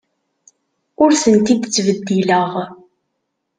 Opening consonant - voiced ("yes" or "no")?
yes